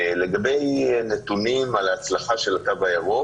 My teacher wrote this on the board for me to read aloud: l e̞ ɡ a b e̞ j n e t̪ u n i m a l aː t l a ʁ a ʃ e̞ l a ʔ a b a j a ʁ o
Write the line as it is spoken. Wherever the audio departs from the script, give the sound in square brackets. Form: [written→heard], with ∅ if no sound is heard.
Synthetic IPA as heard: l e̞ ɡ a b e̞ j n e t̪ u n i m a l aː [t→t͡s] l a [ʁ→χ] a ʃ e̞ l a [ʔ→t] a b a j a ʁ o